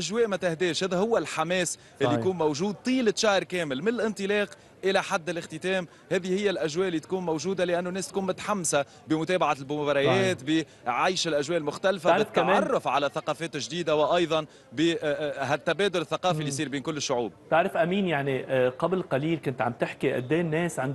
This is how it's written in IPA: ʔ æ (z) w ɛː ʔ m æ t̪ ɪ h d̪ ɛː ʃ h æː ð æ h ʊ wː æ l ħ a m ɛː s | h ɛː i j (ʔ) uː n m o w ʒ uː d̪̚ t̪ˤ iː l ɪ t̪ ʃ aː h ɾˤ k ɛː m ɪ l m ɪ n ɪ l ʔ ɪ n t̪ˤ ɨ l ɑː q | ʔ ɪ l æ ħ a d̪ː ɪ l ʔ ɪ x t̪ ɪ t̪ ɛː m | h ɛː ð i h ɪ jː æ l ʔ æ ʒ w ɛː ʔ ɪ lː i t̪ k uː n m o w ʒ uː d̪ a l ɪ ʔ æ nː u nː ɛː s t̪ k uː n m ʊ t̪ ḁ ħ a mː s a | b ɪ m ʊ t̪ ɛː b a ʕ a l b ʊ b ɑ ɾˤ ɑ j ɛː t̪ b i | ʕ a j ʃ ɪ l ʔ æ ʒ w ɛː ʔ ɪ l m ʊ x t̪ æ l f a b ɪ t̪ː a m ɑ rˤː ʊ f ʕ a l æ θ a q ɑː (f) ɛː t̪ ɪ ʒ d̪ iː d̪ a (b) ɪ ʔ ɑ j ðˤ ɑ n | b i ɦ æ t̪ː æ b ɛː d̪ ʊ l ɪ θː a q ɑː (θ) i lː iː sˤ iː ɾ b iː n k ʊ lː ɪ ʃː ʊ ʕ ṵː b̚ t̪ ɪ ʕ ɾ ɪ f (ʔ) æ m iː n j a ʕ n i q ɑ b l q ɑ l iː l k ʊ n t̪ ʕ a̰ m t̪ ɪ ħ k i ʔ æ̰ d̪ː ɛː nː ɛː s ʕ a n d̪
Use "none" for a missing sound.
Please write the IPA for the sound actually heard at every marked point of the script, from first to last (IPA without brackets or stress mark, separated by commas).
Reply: ʒ, k, f, w, f, ʔ